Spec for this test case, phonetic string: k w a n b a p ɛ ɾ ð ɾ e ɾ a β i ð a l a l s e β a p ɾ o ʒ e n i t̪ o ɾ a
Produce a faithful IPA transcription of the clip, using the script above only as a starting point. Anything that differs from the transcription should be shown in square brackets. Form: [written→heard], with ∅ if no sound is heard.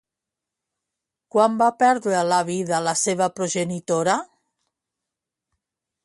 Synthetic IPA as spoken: k w a [n→m] b a p ɛ ɾ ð ɾ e [ɾ→l] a β i ð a l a [l→∅] s e β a p ɾ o ʒ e n i t̪ o ɾ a